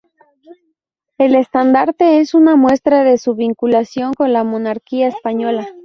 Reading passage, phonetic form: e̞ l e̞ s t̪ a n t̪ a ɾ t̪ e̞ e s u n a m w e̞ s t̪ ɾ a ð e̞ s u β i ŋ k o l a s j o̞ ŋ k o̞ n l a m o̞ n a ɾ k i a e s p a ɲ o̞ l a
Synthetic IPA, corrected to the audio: e̞ l e̞ s t̪ a n d̪ a ɾ t̪ e̞ e s u n a m w e̞ s t̪ ɾ a ð e̞ s u β i ŋ k u l a s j o̞ ŋ k o̞ n l a m o̞ n a ɾ k i a e s p a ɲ o̞ l a